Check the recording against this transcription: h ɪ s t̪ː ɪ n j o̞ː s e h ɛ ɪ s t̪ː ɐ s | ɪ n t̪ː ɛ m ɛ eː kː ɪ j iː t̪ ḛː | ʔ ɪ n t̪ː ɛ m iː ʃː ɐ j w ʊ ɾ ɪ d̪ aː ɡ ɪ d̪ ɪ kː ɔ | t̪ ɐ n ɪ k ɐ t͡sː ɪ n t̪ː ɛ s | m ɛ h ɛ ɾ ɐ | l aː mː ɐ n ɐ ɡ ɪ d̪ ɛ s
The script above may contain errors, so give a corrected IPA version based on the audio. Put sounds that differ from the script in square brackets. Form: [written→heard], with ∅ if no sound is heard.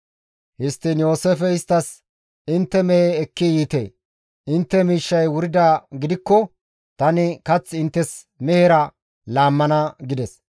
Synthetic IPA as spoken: h ɪ s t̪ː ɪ n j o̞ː s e [h→f] ɛ ɪ s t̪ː ɐ s | ɪ n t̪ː ɛ m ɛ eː kː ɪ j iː t̪ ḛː | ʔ ɪ n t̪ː ɛ m iː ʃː ɐ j w ʊ ɾ ɪ d̪ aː ɡ ɪ d̪ ɪ kː ɔ | t̪ ɐ n ɪ k ɐ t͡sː ɪ n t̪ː ɛ s | m ɛ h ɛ ɾ ɐ | l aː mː ɐ n ɐ ɡ ɪ d̪ ɛ s